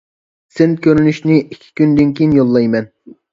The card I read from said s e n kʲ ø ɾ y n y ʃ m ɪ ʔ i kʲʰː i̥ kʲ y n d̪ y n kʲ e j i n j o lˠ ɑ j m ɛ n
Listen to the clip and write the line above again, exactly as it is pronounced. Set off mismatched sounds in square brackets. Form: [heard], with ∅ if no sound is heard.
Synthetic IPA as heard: s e n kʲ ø ɾ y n y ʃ [n] ɪ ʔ i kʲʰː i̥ kʲ y n d̪ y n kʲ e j i n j o [lˠː] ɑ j m ɛ n